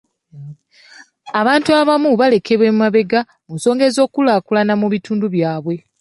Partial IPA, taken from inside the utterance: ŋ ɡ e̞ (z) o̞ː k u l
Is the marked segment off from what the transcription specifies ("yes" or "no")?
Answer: no